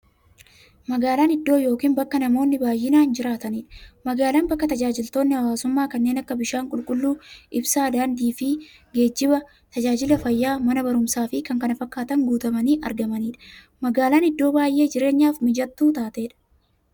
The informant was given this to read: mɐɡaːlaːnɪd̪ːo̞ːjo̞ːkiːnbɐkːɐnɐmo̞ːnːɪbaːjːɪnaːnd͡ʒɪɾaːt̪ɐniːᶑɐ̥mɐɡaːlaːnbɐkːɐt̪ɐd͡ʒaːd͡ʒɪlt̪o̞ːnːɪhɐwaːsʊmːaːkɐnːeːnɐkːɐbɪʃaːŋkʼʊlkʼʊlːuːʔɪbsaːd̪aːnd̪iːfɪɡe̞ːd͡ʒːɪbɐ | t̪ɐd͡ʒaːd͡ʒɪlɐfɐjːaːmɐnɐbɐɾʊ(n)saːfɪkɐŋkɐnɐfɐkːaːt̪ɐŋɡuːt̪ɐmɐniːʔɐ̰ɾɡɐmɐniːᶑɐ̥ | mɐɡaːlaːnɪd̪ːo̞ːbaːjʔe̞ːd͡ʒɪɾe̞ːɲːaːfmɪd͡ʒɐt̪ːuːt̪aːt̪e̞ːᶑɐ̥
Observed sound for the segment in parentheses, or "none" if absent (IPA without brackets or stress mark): m